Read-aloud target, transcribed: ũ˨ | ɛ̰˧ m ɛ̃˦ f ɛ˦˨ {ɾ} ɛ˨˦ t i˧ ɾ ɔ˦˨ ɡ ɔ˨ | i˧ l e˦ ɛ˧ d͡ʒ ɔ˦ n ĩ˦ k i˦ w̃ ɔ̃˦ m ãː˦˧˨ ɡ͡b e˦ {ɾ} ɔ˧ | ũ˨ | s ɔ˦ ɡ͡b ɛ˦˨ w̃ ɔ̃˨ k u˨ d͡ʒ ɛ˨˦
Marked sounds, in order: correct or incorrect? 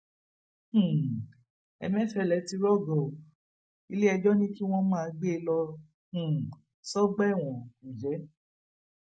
incorrect, incorrect

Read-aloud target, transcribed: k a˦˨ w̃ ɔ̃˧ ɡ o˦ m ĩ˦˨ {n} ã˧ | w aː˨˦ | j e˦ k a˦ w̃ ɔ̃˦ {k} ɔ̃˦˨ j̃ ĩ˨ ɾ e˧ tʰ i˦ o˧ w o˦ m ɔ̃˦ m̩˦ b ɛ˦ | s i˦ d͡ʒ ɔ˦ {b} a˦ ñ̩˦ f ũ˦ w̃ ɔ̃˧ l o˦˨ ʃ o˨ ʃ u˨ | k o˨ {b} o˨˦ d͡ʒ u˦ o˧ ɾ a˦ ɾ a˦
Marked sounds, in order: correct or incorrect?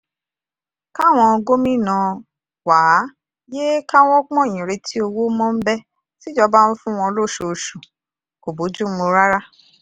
correct, incorrect, correct, correct

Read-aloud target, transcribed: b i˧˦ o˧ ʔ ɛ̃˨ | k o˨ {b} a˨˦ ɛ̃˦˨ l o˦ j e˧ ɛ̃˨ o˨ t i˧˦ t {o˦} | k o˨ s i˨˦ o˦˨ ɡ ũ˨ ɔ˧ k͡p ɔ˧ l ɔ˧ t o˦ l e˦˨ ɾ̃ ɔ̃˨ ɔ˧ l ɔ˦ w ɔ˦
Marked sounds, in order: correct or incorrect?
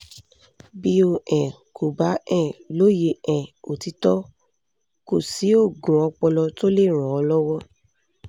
correct, incorrect

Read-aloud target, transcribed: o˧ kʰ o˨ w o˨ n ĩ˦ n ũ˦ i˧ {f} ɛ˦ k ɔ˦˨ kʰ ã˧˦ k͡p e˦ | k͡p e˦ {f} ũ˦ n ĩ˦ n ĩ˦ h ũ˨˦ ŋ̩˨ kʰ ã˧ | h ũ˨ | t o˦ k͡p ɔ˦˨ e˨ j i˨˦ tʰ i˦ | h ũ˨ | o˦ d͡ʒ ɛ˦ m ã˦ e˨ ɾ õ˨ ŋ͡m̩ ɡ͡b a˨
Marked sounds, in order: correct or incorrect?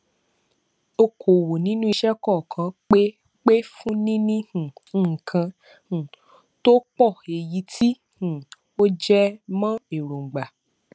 incorrect, correct

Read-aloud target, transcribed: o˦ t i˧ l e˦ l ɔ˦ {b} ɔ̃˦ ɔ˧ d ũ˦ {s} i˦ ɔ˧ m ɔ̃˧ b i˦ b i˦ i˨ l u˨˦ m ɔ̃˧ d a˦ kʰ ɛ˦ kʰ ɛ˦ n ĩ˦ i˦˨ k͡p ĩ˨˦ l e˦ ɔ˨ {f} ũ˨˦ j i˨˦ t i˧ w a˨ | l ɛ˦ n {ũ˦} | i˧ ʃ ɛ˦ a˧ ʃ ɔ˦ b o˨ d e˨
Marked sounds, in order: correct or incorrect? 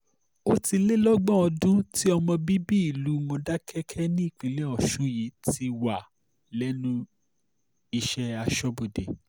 incorrect, incorrect, incorrect, correct

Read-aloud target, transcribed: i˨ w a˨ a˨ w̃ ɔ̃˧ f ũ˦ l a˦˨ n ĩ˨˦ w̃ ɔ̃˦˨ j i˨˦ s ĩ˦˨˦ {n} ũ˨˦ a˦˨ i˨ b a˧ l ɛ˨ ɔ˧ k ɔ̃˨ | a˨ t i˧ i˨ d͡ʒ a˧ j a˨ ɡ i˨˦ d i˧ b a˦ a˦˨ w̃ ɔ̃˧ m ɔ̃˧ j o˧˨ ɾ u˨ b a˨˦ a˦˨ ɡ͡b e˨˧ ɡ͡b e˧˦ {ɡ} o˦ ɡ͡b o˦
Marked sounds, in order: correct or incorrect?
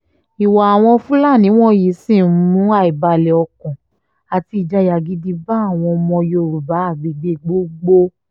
incorrect, incorrect

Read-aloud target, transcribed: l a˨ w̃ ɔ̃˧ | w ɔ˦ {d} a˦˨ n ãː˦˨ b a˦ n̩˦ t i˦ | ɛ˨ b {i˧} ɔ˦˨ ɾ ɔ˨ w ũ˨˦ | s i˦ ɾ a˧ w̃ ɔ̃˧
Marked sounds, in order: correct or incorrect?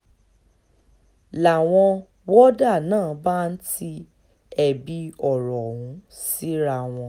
correct, correct

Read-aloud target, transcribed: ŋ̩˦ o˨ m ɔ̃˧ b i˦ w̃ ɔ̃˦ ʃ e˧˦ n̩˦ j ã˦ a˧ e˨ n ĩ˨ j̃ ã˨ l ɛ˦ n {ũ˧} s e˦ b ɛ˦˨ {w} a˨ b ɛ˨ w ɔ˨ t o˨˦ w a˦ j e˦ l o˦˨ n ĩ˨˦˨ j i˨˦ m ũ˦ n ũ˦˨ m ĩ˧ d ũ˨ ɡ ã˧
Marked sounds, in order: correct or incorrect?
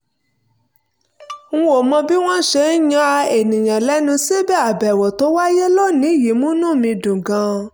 correct, incorrect

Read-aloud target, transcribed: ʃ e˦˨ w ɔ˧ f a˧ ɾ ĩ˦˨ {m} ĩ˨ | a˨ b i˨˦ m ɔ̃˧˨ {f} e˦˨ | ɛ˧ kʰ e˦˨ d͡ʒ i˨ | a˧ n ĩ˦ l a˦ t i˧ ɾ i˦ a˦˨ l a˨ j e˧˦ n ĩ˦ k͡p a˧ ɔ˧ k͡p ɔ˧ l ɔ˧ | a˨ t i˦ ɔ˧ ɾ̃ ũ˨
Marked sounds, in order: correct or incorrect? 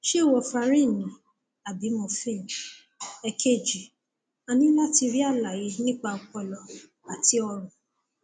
incorrect, correct

